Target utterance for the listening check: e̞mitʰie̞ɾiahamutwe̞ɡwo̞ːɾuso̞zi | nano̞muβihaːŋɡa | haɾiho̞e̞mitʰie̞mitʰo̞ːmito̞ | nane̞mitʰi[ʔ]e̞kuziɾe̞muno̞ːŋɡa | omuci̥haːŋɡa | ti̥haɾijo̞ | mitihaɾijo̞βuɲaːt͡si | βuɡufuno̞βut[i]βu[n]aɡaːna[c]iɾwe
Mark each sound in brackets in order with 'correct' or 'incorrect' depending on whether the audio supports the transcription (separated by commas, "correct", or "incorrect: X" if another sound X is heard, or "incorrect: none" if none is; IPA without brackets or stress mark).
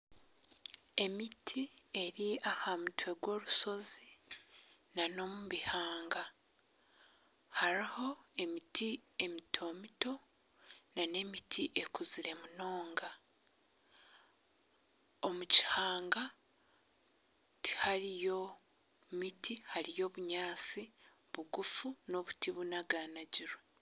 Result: correct, correct, correct, incorrect: ɟ